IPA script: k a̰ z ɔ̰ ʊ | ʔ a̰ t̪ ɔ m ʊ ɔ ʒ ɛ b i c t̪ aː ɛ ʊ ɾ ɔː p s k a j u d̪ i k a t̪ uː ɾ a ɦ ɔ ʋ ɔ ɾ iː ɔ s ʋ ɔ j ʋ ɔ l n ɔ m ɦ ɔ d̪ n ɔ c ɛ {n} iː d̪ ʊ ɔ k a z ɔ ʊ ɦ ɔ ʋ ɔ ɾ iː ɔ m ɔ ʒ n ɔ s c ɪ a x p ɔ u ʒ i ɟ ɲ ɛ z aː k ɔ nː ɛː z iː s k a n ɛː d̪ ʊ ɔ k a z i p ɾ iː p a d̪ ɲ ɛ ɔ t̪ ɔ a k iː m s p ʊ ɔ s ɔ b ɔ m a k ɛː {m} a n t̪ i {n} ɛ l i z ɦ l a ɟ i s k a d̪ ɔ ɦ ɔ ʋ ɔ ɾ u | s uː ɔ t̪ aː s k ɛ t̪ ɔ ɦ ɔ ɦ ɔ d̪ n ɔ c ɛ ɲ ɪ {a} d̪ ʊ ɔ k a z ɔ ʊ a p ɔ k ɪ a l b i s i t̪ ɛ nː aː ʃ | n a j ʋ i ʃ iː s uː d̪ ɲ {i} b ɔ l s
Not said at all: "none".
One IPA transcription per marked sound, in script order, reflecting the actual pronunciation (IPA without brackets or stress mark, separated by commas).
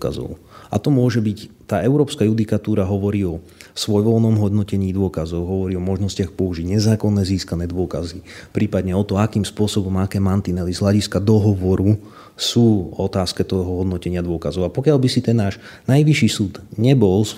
ɲ, m, n, a, ɛ